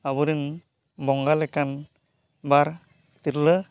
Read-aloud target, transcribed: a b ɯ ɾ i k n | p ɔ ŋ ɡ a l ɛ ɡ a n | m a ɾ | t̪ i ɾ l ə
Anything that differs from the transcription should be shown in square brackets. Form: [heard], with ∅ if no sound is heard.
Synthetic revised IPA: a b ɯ ɾ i [∅] n | [b] ɔ ŋ ɡ a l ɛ [k] a n | [b] a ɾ | t̪ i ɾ l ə